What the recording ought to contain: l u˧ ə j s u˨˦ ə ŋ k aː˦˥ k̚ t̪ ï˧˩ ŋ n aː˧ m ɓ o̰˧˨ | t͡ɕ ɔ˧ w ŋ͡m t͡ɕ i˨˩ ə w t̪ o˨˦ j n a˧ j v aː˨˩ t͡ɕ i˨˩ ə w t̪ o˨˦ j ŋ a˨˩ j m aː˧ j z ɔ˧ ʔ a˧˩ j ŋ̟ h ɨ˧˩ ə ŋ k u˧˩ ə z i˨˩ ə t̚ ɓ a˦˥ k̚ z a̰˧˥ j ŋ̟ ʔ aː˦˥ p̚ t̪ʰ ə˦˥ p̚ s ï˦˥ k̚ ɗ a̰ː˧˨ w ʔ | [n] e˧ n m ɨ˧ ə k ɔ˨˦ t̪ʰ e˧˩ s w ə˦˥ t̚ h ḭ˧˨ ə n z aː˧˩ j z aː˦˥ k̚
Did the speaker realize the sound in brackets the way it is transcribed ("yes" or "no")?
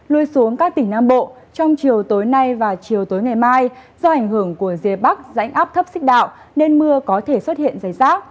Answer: yes